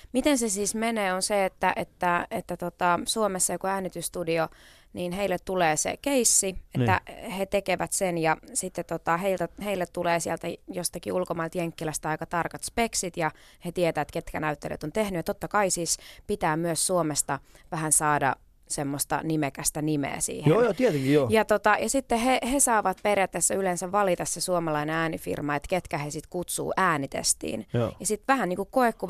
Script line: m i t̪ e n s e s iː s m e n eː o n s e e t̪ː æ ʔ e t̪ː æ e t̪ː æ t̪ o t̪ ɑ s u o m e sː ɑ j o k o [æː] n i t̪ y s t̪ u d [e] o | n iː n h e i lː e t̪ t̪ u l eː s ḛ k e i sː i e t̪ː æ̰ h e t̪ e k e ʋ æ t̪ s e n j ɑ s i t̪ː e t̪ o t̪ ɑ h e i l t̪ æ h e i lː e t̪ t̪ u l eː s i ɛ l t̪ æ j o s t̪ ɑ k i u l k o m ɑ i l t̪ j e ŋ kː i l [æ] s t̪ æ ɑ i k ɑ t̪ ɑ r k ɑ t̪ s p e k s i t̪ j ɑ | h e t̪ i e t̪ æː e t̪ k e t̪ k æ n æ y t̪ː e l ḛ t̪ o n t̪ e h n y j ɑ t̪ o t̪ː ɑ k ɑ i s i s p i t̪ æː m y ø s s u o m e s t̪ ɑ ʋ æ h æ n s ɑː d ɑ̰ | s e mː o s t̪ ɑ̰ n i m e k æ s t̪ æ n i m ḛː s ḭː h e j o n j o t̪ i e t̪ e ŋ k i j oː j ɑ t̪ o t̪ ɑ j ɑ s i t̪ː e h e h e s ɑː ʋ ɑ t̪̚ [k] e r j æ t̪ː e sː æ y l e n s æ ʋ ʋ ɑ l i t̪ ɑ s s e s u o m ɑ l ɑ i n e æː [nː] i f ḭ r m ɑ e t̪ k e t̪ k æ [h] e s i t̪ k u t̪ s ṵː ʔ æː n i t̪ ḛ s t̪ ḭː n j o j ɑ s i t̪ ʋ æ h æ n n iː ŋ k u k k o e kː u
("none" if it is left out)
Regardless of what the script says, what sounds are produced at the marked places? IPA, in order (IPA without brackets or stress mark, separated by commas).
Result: æː, i, æ, p, n, h